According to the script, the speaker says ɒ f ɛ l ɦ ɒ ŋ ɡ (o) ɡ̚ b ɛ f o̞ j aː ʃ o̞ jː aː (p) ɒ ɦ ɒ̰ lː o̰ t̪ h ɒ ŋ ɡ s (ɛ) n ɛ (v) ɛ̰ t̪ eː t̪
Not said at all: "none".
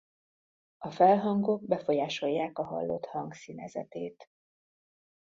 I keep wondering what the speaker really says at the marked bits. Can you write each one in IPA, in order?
o, k, i, z

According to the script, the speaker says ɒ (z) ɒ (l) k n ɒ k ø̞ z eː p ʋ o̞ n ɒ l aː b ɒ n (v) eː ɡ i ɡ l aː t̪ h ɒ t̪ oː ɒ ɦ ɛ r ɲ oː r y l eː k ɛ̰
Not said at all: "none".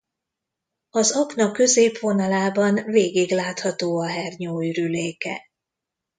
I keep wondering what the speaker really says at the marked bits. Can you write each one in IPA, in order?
z, none, v

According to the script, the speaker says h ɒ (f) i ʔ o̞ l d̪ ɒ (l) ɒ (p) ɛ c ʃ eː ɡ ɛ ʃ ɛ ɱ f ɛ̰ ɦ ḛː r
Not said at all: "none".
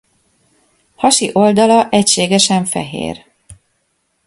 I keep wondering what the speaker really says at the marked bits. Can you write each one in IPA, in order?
ʃ, l, ʔ

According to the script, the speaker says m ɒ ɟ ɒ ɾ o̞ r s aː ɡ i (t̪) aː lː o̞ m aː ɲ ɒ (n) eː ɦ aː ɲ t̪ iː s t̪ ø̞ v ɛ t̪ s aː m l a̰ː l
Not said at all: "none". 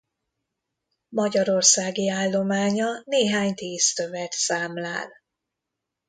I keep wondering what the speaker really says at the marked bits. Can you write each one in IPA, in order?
none, n

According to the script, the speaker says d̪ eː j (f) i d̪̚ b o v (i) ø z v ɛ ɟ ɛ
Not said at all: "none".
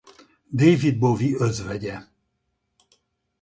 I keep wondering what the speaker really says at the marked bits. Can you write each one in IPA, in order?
v, i

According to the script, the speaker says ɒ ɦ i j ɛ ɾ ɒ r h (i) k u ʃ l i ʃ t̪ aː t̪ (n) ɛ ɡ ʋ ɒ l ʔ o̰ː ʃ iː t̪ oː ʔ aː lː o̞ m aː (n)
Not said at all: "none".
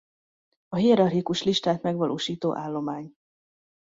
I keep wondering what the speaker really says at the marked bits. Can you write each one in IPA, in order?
i, m, ɲ

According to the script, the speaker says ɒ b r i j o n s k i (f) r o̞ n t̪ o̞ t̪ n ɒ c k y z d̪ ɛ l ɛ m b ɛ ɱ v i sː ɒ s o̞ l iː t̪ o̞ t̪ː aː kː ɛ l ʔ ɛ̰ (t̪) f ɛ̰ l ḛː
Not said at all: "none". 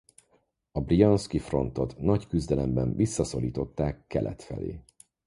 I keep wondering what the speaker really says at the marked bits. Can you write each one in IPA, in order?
f, t̪

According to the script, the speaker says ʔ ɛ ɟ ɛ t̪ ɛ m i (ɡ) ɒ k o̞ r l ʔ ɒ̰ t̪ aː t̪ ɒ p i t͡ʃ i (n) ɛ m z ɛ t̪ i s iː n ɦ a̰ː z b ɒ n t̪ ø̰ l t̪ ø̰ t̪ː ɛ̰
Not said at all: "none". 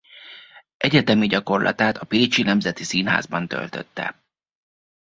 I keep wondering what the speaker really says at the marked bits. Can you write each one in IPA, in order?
ɟ, n

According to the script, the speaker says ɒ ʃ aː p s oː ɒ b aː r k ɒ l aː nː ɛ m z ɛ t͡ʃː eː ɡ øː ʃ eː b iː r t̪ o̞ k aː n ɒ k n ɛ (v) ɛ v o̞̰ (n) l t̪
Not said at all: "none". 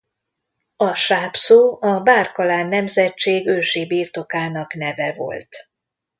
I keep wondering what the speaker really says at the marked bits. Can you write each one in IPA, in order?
v, none

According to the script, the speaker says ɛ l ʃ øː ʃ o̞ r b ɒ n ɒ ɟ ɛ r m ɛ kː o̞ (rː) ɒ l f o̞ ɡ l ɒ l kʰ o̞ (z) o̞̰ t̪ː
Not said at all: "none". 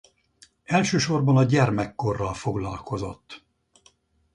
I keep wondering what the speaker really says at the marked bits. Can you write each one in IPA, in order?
rː, z

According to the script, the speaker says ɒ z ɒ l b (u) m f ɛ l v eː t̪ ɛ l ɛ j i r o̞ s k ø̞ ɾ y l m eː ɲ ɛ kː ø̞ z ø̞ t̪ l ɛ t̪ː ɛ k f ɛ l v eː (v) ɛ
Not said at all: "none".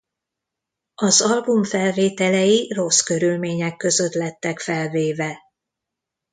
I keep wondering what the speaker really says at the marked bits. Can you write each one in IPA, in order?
u, v

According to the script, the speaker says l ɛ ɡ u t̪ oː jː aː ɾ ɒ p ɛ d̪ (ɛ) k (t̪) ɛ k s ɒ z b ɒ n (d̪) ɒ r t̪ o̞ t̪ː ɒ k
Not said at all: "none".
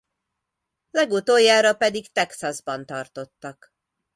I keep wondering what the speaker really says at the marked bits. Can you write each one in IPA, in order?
i, t̪, t̪

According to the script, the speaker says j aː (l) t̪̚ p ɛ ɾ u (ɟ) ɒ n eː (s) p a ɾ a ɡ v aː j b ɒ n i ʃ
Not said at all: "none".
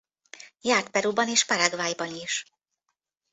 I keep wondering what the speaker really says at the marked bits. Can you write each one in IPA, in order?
r, b, ʃ

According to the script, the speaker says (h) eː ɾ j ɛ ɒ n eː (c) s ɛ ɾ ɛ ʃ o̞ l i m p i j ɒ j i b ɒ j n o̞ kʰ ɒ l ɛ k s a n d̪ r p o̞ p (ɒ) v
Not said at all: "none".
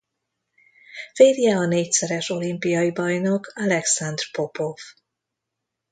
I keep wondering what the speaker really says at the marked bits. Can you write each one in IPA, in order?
f, c, o

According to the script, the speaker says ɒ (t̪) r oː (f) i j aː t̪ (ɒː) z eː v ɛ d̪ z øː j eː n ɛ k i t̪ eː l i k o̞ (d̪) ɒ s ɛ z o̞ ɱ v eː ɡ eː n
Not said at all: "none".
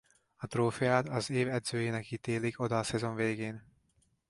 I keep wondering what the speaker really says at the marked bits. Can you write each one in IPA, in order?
t̪, f, ɒ, d̪

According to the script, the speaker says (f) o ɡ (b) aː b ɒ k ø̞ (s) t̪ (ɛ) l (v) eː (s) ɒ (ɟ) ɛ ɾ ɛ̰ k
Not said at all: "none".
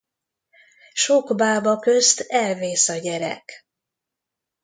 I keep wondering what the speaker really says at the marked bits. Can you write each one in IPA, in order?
ʃ, b, s, ɛ, v, s, ɟ

